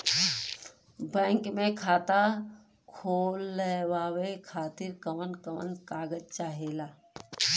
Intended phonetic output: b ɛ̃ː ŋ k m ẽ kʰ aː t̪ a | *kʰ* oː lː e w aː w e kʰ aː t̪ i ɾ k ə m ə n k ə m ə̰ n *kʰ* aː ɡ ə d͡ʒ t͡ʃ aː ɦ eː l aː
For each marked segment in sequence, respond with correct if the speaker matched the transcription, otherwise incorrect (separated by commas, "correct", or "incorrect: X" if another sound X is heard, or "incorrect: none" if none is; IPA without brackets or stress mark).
correct, incorrect: k